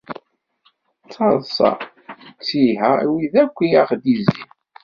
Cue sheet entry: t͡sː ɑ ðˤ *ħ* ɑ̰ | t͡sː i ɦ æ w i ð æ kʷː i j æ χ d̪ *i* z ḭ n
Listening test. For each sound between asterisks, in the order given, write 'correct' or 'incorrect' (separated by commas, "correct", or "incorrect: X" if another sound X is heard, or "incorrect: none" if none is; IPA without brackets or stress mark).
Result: incorrect: s, correct